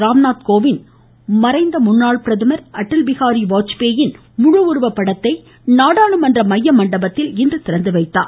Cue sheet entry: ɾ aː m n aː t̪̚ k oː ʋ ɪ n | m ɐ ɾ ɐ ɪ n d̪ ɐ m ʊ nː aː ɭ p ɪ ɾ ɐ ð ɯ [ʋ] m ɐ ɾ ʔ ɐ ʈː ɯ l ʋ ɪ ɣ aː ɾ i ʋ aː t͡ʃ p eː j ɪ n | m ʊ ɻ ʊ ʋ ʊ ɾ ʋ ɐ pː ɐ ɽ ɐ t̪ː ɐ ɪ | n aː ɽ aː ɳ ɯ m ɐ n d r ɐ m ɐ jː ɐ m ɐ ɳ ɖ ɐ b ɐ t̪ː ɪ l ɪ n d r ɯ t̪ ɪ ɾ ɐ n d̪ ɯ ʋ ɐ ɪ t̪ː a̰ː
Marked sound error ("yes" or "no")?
yes